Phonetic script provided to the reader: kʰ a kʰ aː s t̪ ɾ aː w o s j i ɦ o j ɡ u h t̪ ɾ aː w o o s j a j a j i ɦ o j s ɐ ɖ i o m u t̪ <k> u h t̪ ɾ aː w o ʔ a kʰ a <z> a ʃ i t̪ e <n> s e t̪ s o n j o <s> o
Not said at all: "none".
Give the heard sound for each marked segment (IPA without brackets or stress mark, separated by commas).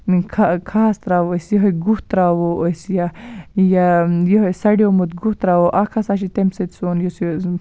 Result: ɡ, s, m, s